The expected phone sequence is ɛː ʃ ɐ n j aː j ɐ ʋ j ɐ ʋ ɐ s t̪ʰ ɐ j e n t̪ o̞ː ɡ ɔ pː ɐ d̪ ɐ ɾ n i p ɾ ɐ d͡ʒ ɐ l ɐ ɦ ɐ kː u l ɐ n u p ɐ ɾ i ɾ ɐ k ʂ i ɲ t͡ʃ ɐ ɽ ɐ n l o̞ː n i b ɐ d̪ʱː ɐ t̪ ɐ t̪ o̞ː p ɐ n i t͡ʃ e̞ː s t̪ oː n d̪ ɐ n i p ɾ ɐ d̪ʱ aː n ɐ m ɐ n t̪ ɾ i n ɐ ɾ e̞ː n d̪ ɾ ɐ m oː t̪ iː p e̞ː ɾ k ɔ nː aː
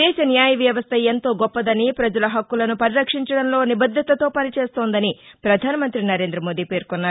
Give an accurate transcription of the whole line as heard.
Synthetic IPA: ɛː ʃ ɐ n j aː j ɐ ʋ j ɐ ʋ ɐ s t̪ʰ ɐ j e n t̪ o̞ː ɡ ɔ pː ɐ d̪ ɐ n i p ɾ ɐ d͡ʒ ɐ l ɐ ɦ ɐ kː u l ɐ n u p ɐ ɾ i ɾ ɐ k ʂ i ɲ t͡ʃ ɐ ɽ ɐ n l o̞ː n i b ɐ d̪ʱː ɐ t̪ ɐ t̪ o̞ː p ɐ n i t͡ʃ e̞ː s t̪ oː n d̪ ɐ n i p ɾ ɐ d̪ʱ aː n ɐ m ɐ n t̪ ɾ i n ɐ ɾ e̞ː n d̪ ɾ ɐ m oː d̪ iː p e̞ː ɾ k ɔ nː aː